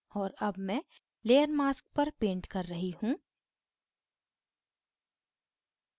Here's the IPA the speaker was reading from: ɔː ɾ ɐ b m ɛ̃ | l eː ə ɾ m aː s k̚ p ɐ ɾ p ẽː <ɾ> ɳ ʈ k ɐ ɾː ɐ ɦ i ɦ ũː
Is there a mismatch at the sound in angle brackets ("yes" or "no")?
yes